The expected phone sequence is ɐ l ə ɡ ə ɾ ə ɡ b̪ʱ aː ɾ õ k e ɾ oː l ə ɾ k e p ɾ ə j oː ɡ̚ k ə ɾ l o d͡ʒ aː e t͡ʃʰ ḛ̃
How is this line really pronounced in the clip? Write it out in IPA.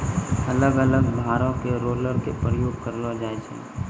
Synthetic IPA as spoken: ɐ l ə ɡ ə l ə ɡ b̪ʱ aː ɾ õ k e ɾ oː l ə ɾ k e p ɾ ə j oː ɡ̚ k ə ɾ l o d͡ʒ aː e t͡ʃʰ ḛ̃